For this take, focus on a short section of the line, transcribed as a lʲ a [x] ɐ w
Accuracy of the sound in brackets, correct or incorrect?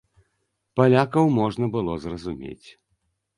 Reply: incorrect: k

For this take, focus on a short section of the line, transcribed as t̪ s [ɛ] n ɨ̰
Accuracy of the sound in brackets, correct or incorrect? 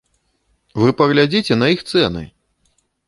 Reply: correct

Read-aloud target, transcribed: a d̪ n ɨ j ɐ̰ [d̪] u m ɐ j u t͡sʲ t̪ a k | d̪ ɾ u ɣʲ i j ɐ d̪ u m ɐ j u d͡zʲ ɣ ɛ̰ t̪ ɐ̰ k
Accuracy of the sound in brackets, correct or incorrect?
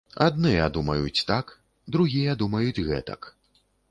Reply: correct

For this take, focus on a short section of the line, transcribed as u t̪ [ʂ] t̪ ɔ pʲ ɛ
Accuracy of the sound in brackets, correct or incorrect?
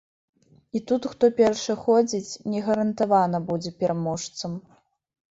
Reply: incorrect: x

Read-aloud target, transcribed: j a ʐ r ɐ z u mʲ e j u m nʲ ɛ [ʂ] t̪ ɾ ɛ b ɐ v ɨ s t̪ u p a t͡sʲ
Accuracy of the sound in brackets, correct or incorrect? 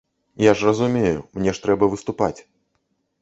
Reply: correct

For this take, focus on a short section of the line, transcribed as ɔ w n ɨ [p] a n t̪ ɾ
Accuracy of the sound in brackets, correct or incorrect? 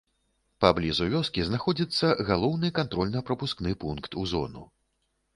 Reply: incorrect: k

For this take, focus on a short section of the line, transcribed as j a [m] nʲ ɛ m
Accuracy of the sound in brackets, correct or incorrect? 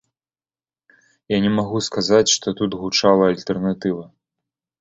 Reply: incorrect: none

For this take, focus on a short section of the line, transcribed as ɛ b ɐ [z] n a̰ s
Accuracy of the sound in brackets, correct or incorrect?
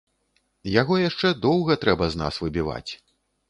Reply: correct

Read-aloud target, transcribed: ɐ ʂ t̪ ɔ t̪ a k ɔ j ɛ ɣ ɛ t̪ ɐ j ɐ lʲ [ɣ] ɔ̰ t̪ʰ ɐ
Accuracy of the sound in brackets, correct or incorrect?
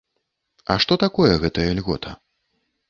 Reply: correct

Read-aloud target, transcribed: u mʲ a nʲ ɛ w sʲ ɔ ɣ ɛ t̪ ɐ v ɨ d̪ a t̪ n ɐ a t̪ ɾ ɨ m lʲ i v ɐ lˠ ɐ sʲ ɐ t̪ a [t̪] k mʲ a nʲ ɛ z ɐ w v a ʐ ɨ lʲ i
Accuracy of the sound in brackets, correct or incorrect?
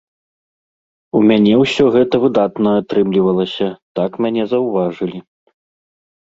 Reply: incorrect: none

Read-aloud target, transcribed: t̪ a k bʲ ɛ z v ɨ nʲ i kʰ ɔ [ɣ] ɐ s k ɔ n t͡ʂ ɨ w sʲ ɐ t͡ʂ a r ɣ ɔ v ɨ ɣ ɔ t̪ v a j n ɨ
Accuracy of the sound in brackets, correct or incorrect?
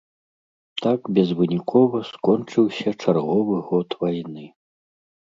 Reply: incorrect: v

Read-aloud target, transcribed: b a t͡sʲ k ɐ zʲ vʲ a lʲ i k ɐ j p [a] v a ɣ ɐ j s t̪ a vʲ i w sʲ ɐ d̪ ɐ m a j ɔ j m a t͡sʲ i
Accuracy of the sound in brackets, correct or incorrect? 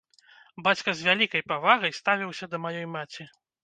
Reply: correct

